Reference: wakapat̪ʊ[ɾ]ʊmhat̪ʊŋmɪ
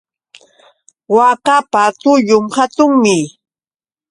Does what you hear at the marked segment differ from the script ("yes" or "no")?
yes